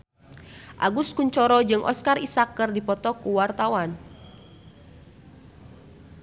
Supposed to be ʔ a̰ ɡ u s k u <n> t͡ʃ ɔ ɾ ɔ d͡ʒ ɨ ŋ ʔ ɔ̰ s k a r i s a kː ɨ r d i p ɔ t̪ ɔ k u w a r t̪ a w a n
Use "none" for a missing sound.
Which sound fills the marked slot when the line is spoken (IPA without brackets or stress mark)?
ɲ